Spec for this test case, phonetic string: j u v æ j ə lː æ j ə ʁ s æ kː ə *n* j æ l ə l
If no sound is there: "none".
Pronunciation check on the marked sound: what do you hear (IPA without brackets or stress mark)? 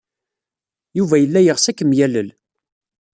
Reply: m